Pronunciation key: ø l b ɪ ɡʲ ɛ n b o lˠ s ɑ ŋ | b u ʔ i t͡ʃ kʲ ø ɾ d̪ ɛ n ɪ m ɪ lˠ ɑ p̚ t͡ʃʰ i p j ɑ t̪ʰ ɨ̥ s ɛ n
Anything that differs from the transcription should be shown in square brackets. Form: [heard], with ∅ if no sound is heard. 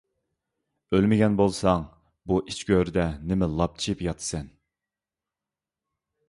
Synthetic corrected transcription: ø l [m] ɪ ɡʲ ɛ n b o lˠ s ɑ ŋ | b u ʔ i t͡ʃ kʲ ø ɾ d̪ ɛ n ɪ m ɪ lˠ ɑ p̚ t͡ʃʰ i p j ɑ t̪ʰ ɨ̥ s ɛ n